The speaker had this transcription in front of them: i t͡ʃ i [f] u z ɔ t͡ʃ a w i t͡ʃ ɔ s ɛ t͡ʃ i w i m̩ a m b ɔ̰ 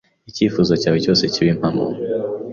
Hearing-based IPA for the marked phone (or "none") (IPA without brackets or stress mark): f